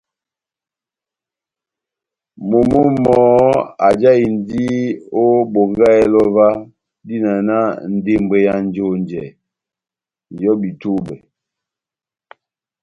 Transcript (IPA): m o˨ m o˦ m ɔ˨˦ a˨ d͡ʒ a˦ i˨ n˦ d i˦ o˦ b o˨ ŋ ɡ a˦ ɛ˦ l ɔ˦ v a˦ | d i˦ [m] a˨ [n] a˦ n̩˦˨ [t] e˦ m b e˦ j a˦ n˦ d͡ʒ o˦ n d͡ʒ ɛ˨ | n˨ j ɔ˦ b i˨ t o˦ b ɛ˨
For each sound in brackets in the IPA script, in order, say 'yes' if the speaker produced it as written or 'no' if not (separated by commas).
no, yes, no